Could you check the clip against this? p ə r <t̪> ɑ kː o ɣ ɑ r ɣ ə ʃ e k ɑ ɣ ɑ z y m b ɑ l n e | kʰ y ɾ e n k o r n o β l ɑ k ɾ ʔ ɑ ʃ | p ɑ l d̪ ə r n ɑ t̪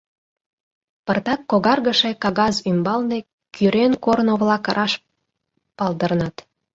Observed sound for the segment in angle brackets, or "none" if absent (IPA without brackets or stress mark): t̪